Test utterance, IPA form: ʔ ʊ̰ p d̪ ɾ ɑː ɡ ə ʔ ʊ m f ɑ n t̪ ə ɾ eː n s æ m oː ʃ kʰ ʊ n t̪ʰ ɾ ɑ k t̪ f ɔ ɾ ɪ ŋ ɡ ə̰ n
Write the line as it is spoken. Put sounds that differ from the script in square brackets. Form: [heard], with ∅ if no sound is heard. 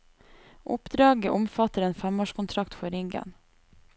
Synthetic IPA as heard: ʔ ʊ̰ p d̪ ɾ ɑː ɡ ə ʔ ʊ m f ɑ [∅] t̪ ə ɾ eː n [f] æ m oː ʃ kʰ ʊ n t̪ʰ ɾ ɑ k t̪ f ɔ ɾ ɪ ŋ ɡ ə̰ n